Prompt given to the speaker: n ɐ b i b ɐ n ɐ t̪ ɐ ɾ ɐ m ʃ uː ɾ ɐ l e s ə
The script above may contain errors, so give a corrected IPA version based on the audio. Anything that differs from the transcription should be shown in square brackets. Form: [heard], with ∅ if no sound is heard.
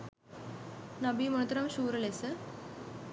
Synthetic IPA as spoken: n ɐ b i [m] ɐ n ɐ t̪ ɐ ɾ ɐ m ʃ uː ɾ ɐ l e s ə